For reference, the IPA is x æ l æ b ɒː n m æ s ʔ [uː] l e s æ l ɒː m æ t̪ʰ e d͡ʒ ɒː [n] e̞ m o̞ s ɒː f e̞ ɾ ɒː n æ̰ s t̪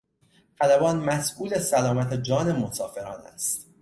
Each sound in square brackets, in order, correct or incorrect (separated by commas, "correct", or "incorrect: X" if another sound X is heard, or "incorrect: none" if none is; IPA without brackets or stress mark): correct, correct